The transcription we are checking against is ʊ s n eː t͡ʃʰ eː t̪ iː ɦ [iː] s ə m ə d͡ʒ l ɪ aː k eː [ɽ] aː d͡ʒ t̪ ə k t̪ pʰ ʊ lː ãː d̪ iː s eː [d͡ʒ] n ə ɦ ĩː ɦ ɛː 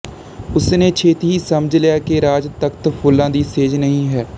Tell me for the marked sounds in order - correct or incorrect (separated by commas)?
correct, incorrect, correct